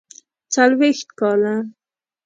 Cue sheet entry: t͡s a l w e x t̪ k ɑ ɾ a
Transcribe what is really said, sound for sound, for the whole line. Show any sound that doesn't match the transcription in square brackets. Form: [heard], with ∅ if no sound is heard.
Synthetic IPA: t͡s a l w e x t̪ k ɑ [l] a